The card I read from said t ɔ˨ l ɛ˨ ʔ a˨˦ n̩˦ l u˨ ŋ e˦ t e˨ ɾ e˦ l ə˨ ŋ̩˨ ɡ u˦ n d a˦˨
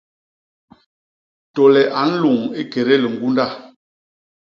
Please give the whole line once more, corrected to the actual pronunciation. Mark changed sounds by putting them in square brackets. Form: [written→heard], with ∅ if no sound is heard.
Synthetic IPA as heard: t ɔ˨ l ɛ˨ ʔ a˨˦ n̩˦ l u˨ ŋ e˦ [t→k] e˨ ɾ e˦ l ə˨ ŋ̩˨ ɡ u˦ n d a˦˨